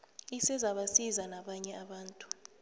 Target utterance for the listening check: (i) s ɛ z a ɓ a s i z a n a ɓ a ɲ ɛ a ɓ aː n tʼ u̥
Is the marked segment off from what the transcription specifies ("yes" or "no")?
no